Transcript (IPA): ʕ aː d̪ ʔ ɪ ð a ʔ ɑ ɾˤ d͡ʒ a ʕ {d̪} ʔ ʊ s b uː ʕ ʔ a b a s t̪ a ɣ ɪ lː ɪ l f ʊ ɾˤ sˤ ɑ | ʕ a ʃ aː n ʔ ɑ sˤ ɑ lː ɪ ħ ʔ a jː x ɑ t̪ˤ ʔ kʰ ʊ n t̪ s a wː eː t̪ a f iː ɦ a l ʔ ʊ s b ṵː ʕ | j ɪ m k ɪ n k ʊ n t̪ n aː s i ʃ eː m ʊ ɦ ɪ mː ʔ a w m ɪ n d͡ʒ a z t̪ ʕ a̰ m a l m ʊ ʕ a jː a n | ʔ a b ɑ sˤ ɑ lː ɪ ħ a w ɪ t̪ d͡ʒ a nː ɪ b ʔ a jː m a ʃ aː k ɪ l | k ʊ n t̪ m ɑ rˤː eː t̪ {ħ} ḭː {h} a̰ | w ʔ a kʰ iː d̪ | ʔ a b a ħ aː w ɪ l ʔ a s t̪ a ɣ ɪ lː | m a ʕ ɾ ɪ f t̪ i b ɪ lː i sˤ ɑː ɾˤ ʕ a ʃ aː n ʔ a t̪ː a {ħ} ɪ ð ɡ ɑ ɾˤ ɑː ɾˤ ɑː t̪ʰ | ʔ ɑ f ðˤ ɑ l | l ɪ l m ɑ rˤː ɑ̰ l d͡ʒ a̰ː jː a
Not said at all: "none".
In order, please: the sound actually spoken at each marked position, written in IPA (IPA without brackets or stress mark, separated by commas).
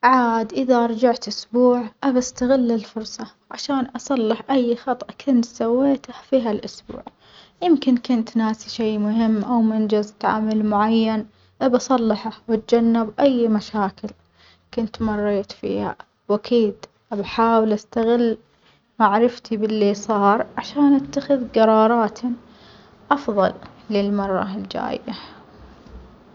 t̪, f, h, x